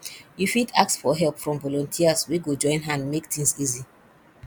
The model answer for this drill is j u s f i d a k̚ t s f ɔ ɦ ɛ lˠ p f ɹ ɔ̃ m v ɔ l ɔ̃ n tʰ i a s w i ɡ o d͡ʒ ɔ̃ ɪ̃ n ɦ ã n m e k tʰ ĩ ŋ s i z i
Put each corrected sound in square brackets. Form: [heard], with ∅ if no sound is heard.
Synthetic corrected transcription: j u [∅] f i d a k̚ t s f ɔ ɦ ɛ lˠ p f ɹ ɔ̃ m v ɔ l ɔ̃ n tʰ i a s w i ɡ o d͡ʒ ɔ̃ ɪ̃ n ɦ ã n m e k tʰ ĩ ŋ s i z i